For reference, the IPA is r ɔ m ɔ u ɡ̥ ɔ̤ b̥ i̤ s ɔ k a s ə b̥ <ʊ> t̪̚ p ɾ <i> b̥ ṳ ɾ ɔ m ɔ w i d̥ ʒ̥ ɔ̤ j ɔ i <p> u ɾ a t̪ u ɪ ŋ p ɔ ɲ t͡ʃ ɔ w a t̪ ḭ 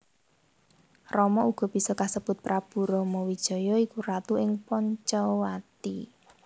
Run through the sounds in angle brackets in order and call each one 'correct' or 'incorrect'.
correct, incorrect, incorrect

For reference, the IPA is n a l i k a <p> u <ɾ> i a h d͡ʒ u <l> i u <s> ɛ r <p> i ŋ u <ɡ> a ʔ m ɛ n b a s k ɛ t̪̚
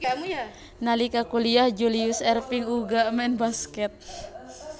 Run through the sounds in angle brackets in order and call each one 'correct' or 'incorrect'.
incorrect, incorrect, correct, correct, correct, correct

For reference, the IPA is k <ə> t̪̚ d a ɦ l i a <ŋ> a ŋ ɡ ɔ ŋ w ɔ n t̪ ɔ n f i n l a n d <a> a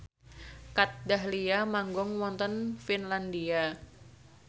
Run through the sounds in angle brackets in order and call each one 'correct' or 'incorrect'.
incorrect, incorrect, incorrect

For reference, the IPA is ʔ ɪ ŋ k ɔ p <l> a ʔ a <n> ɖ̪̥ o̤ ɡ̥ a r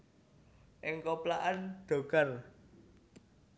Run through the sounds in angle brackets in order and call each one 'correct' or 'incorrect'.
correct, correct

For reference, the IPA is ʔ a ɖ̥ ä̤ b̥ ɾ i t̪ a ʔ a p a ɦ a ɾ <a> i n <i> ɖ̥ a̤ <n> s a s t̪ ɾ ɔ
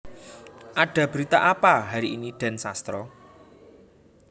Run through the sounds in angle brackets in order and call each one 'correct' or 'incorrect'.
incorrect, correct, correct

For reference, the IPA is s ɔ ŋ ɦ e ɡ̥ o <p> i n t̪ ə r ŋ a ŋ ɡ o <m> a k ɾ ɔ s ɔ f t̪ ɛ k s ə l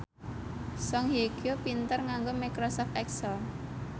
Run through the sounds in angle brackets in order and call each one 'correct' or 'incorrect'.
correct, correct

